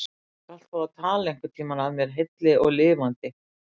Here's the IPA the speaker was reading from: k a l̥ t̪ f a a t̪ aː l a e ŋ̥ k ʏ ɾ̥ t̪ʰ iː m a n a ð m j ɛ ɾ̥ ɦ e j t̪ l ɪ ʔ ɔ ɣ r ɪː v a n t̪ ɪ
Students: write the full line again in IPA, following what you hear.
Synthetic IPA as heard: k a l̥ t̪ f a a t̪ʰ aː l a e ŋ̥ k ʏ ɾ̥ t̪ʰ iː m a n a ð m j ɛ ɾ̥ ɦ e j t̪ l ɪ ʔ ɔ ɣ l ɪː v a n t̪ ɪ